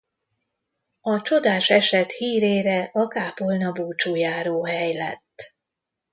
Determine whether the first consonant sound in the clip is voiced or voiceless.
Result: voiceless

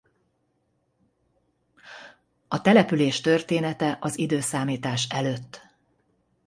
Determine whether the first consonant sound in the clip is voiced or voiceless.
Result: voiceless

